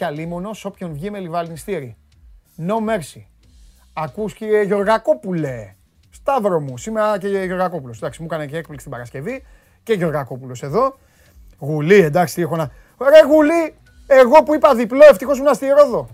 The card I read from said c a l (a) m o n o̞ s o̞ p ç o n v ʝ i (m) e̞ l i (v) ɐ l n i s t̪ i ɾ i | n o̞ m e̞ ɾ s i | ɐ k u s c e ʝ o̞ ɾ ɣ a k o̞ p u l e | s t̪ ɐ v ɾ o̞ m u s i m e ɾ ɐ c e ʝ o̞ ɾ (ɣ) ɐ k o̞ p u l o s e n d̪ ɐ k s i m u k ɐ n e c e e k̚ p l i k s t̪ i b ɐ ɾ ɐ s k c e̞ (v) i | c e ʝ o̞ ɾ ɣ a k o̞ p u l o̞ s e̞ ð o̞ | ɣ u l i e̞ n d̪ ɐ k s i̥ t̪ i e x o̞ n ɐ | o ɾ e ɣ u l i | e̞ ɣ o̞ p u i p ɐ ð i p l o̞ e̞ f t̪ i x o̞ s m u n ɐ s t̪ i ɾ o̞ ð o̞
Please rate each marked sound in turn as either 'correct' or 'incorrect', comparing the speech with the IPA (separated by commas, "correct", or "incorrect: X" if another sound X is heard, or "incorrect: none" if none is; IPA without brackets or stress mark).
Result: incorrect: i, correct, correct, correct, correct